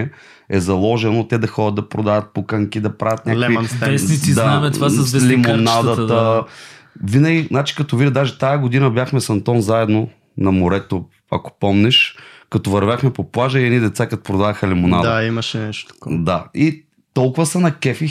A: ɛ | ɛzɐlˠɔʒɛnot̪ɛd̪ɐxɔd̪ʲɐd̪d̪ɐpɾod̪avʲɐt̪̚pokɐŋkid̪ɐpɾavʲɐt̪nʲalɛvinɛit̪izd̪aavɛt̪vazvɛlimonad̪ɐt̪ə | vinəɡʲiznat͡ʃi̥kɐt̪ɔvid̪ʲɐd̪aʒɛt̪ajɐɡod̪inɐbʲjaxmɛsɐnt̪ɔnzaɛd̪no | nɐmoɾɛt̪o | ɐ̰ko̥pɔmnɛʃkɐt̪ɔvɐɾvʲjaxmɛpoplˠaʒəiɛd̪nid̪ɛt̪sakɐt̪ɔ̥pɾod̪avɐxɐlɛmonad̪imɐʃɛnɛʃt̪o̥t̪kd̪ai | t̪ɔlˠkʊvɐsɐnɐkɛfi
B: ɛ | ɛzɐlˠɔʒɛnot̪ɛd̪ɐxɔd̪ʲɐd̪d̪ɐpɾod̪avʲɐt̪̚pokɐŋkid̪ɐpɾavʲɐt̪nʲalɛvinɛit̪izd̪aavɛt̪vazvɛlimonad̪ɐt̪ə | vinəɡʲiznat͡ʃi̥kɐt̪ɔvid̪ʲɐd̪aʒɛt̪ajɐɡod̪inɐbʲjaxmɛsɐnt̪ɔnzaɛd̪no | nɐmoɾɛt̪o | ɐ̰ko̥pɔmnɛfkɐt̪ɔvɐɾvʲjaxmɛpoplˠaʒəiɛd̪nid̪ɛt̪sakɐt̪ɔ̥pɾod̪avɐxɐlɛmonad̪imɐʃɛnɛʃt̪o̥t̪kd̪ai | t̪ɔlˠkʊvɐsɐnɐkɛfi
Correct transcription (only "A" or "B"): A